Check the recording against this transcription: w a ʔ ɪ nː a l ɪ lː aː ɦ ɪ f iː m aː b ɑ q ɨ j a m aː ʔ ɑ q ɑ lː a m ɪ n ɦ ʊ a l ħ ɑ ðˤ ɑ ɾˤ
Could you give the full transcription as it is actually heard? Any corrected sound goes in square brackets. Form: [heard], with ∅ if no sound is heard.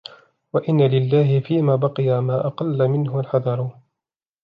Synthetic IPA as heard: w a ʔ ɪ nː a l ɪ lː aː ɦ ɪ f iː m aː b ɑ q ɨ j a m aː ʔ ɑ q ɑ lː a m ɪ n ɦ ʊ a l ħ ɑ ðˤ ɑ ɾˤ